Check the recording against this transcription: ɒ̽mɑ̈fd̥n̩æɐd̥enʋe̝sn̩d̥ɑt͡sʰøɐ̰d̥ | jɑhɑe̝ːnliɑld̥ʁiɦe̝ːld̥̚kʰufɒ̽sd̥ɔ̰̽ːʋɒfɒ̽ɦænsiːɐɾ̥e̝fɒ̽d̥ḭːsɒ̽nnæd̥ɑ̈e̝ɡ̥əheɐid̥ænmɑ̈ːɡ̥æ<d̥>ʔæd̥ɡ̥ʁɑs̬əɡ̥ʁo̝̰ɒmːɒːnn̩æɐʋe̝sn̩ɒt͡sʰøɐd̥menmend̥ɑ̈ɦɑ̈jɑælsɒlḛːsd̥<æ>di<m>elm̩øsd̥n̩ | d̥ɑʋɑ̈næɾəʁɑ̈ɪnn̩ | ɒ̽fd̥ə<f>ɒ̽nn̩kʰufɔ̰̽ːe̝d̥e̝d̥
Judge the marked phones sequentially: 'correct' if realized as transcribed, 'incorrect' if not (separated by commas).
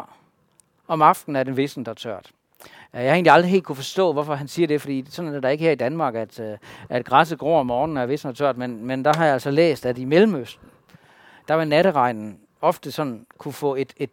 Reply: correct, correct, correct, incorrect